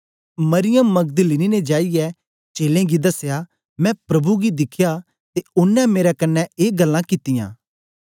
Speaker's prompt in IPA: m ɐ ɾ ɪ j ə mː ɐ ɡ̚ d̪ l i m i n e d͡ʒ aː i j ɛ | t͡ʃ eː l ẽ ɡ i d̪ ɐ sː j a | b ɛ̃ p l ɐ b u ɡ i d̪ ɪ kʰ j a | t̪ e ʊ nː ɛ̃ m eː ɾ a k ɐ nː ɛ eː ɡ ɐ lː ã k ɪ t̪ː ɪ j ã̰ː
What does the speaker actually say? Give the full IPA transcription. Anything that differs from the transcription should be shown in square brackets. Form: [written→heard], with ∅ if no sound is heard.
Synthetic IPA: m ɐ ɾ ɪ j ə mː ɐ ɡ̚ d̪ l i [m→n] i n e d͡ʒ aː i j ɛ | t͡ʃ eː l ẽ ɡ i d̪ ɐ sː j a | [b→m] ɛ̃ p [l→ɾ] ɐ b u ɡ i d̪ ɪ kʰ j a | t̪ e ʊ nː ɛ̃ m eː ɾ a k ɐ nː ɛ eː ɡ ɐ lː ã k ɪ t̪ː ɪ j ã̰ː